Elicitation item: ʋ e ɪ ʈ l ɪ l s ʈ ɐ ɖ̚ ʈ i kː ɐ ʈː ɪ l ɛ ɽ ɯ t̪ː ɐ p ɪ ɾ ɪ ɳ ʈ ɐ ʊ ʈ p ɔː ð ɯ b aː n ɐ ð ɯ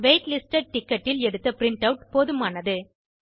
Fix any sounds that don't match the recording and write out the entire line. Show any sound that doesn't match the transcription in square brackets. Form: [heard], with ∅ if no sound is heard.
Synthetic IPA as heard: ʋ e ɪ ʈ l ɪ [∅] s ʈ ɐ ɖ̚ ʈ [ɪ] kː ɐ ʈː ɪ l ɛ ɽ ɯ t̪ː ɐ p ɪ ɾ ɪ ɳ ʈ ɐ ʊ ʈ p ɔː ð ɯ [m] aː n ɐ ð ɯ